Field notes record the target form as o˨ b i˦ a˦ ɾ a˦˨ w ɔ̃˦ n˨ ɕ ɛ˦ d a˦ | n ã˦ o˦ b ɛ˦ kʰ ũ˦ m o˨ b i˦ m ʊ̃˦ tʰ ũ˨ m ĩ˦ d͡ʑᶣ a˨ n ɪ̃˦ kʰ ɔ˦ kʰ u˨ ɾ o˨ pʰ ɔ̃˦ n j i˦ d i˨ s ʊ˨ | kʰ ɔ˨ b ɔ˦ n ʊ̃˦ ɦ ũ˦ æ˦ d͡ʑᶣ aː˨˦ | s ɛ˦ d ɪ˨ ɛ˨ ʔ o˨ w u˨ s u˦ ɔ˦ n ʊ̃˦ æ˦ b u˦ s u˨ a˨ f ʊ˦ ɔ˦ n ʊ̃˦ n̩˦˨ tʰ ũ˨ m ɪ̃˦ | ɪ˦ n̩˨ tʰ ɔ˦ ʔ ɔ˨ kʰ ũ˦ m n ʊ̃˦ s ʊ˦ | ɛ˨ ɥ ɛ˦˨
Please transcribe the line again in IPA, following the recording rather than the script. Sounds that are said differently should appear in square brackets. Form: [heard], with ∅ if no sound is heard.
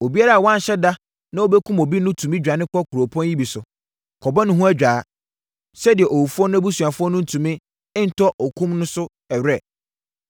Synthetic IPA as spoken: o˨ b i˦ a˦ ɾ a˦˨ w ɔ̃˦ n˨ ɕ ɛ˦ d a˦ | n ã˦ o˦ b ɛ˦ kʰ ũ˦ m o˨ b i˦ [n] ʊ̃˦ tʰ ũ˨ m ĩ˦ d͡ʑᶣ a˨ n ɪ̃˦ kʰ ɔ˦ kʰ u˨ ɾ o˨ pʰ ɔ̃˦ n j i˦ [b] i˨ s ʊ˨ | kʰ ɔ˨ b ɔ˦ n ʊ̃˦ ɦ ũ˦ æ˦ d͡ʑᶣ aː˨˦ | s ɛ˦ d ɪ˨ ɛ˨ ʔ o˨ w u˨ [f] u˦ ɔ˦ n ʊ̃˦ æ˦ b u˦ s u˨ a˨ f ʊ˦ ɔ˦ n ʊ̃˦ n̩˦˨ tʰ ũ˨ m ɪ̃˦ | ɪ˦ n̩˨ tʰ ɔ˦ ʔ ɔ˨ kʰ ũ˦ m n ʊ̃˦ s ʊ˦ | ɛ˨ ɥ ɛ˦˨